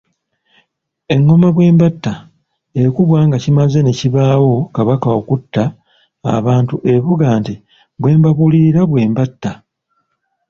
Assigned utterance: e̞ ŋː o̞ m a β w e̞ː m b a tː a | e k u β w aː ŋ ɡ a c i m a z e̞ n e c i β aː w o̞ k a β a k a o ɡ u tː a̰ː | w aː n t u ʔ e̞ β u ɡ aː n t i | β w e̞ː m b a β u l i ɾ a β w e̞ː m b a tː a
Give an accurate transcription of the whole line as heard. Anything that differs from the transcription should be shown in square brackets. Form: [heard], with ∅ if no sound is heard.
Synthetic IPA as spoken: e̞ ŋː o̞ m a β w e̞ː m b a tː a | e k u β w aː ŋ ɡ a c i m a z e̞ n e c i β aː w o̞ k a β a k a o [k] u tː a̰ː | [β] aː n t u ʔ e̞ β u ɡ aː n t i | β w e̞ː m b a β u l i ɾ a β w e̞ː m b a tː a